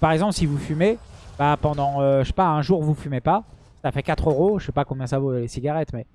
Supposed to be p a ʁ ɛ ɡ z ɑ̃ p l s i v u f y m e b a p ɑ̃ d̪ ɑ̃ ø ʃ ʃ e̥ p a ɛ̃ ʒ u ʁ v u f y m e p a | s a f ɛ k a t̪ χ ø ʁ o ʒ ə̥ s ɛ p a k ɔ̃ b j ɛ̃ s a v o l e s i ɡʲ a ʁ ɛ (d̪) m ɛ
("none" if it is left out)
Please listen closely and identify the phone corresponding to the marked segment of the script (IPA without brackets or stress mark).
t̪